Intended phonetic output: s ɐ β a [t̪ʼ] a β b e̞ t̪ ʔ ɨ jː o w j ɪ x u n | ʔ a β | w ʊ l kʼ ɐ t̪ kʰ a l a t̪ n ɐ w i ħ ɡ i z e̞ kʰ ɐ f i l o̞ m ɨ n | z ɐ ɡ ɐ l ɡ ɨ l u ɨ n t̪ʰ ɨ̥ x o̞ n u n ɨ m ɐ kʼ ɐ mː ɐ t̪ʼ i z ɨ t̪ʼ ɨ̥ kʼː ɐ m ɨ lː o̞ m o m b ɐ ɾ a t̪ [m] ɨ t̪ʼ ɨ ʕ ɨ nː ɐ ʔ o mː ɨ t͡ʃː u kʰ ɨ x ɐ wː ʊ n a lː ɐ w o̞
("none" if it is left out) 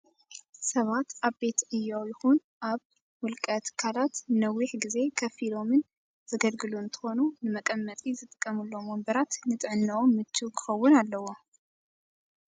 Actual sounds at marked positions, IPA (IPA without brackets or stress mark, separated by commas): t̪, n